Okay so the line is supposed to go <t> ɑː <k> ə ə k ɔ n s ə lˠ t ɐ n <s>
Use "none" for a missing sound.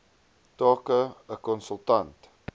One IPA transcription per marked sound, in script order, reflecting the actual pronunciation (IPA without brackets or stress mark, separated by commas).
t, k, t